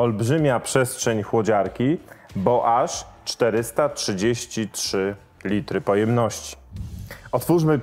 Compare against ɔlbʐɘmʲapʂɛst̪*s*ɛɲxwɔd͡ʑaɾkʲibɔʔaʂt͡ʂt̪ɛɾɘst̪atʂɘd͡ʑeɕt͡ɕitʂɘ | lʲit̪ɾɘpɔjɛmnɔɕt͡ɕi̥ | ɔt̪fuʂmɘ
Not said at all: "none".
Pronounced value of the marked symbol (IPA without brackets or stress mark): ʂ